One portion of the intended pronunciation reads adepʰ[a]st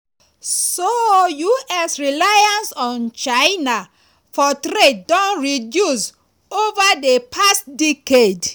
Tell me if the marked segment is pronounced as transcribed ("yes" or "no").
yes